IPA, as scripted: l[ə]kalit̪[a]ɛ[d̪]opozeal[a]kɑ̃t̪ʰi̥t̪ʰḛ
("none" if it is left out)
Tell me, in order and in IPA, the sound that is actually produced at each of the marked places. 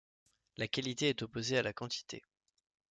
a, e, t̪, a

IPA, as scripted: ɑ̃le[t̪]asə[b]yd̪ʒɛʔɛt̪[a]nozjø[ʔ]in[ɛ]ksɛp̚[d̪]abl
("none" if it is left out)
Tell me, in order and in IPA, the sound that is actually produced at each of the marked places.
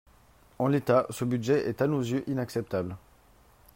t̪, b, a, ʔ, a, t̪

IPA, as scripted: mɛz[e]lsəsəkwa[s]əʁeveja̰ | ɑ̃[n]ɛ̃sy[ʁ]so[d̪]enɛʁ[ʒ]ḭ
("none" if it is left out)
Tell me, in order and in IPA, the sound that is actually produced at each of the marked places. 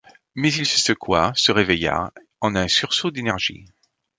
i, s, n, ʁ, d̪, ʒ

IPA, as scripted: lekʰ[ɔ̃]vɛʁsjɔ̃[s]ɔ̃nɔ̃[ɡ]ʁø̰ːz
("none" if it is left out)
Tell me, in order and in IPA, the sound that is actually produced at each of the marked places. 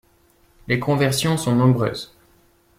ɔ̃, s, b

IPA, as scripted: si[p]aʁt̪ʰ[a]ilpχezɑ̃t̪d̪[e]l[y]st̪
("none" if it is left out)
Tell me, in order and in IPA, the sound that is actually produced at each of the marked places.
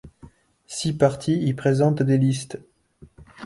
p, i, e, i

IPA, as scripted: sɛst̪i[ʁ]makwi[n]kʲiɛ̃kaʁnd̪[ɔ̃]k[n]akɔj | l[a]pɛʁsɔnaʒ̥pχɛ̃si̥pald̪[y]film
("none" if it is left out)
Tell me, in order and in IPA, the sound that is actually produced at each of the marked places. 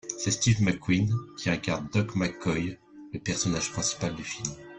v, n, ɔ, m, ə, y

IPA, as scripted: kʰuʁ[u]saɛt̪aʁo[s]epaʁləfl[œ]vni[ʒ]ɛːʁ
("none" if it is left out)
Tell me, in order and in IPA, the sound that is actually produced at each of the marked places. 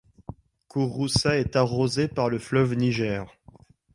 u, z, œ, ʒ

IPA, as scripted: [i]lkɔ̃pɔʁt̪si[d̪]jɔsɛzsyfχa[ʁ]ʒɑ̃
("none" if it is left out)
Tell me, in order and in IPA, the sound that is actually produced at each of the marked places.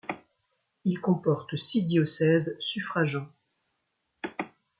i, d̪, none

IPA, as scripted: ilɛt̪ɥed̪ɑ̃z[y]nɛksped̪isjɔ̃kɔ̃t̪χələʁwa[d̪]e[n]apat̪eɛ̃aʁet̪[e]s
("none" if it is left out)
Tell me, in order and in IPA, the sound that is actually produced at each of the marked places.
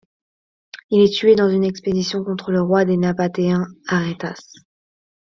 y, d̪, n, a

